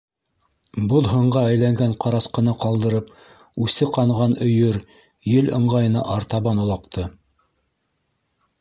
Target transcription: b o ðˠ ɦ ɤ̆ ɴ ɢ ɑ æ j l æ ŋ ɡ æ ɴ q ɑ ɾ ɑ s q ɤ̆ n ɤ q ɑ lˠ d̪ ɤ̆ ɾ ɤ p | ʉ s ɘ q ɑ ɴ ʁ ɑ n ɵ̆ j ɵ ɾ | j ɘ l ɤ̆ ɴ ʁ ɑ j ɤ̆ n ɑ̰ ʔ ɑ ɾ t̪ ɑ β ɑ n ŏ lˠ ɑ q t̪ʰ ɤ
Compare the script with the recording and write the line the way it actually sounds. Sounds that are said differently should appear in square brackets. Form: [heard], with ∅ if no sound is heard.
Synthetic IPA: b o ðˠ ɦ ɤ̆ ɴ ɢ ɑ æ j l æ ŋ ɡ æ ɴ q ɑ ɾ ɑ s q ɤ̆ n ɤ q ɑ lˠ d̪ ɤ̆ ɾ ɤ p | ʉ s ɘ q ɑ ɴ ʁ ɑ n ɵ̆ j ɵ ɾ | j ɘ l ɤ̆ ɴ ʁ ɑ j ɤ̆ n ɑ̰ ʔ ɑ ɾ t̪ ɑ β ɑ n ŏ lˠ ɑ q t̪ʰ ɤ